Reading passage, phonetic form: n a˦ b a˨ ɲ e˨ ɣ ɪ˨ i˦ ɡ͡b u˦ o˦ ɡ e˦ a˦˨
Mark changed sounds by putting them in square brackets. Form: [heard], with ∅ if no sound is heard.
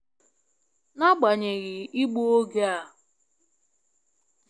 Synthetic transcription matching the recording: n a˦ [ɡ͡b] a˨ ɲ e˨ ɣ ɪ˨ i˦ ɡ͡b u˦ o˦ ɡ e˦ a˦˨

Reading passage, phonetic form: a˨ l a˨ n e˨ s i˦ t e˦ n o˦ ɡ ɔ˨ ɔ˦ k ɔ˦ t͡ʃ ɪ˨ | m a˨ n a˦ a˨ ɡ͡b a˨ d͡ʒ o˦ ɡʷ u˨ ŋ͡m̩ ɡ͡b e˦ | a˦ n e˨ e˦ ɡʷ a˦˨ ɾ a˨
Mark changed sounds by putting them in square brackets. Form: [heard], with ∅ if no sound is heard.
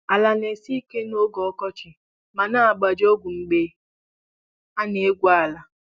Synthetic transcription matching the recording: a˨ l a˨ n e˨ s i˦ [k] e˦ n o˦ ɡ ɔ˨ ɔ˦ k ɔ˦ t͡ʃ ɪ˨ | m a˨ n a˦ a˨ ɡ͡b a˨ d͡ʒ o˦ ɡʷ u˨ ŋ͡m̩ ɡ͡b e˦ | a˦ n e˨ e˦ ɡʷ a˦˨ [l] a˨

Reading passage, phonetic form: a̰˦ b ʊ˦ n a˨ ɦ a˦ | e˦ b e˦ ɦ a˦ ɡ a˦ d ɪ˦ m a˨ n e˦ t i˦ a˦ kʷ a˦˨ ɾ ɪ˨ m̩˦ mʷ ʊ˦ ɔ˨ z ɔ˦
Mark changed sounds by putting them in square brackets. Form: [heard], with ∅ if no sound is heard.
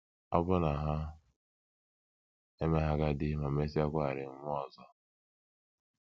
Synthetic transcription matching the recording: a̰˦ b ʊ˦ n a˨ ɦ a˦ | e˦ [m] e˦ ɦ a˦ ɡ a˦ d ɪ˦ m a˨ [m] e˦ [s] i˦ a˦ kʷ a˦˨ ɾ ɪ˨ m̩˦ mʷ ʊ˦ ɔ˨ z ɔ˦

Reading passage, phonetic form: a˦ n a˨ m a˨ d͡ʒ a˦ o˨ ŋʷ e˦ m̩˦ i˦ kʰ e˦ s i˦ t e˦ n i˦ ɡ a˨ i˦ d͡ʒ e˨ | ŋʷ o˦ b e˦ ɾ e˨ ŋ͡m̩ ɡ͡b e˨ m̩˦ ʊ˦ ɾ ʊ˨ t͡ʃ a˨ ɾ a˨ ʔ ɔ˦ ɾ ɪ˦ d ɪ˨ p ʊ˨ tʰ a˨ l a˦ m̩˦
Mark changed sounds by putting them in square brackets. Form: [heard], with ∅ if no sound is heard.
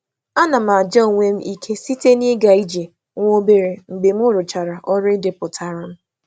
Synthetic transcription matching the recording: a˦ n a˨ m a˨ d͡ʒ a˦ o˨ ŋʷ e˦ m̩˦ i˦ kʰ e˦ s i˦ t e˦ n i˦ ɡ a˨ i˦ d͡ʒ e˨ | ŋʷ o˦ b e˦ ɾ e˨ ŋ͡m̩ ɡ͡b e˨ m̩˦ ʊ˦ ɾ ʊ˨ t͡ʃ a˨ ɾ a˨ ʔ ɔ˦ ɾ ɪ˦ d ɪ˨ p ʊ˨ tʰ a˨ [ɾ] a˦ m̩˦

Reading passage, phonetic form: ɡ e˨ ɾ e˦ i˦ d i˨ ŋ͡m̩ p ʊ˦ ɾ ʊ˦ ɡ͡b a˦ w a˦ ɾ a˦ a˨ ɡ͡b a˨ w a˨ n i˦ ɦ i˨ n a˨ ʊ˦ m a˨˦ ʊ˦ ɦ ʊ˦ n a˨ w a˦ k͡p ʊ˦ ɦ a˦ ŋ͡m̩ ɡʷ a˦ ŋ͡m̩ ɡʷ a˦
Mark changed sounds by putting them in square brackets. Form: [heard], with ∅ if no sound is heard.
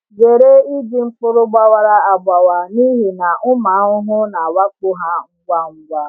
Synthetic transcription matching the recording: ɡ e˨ ɾ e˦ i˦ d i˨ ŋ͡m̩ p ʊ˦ ɾ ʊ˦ ɡ͡b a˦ w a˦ ɾ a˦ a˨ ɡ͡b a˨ w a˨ n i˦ ɦ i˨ n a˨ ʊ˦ m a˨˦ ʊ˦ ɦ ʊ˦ n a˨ w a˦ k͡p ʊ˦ ɦ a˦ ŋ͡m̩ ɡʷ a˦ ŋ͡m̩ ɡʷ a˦

